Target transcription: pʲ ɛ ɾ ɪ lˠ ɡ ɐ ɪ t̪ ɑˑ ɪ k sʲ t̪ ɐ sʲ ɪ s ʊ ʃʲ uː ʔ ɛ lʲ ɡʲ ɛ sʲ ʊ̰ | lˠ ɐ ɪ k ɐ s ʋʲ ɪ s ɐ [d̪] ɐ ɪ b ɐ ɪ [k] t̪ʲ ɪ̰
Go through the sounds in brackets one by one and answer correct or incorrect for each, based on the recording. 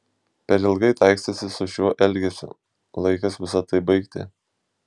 incorrect, correct

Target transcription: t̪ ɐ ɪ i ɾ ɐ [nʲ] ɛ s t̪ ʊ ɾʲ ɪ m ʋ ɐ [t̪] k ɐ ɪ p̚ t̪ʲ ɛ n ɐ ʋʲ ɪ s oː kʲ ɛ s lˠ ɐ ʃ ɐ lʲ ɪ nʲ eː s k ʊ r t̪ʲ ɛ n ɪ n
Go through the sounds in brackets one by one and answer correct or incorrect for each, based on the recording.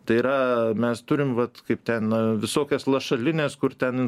incorrect, correct

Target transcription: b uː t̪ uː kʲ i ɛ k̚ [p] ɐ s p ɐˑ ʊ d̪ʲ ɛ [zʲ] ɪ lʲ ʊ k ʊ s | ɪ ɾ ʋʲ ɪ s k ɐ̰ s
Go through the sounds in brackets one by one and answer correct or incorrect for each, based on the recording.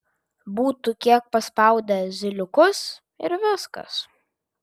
correct, correct

